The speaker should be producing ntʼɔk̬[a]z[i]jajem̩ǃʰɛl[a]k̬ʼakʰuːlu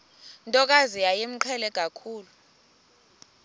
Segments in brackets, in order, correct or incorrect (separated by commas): correct, correct, incorrect